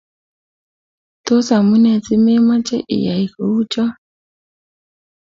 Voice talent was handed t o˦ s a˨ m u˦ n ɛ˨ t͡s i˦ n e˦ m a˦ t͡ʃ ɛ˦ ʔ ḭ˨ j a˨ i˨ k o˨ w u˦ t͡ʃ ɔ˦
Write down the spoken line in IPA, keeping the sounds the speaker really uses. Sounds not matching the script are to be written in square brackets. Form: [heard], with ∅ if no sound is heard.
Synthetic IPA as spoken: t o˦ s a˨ m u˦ n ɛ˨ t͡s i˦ [m] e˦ m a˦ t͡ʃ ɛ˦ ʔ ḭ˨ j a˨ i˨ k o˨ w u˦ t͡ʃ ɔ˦